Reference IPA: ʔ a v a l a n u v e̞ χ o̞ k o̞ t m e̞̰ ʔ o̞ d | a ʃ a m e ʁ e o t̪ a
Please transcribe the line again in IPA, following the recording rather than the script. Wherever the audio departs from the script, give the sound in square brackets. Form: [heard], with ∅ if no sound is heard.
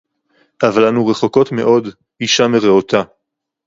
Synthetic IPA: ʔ a v a l a n u [ʁ] e̞ χ o̞ k o̞ t m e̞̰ ʔ o̞ d | [i] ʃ a m e ʁ e o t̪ a

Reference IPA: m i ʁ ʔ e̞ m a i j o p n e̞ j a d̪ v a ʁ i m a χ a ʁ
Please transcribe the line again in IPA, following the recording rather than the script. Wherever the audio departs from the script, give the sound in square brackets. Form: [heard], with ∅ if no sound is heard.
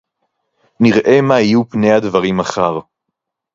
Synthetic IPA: [n] i ʁ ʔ e̞ m a i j [u] p n e̞ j a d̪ v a ʁ i m a χ a ʁ

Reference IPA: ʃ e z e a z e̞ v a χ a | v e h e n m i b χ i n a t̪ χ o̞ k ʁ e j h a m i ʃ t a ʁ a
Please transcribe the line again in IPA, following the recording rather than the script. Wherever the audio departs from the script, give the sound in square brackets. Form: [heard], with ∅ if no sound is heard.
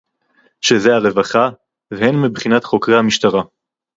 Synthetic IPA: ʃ e z e a [ʁ] e̞ v a χ a | v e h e n m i b χ i n a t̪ χ o̞ k ʁ e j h a m i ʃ t a ʁ a

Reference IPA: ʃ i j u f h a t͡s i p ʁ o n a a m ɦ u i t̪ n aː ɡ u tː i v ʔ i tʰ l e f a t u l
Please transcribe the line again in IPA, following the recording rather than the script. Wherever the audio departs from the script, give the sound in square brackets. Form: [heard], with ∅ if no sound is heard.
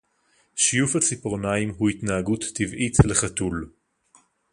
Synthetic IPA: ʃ i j u f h a t͡s i p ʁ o n a [i] m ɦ u i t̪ n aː ɡ u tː i v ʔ i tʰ l e [χ] a t u l

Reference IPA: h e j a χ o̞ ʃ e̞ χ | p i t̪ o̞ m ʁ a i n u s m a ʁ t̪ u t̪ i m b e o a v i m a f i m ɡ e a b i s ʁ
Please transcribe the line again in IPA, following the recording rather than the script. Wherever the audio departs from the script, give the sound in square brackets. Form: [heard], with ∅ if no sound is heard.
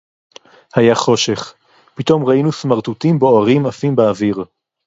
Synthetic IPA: h [a] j a χ o̞ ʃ e̞ χ | p i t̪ o̞ m ʁ a i n u s m a ʁ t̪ u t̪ i m b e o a [ʁ] i m a f i m [b] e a [v] i [∅] ʁ

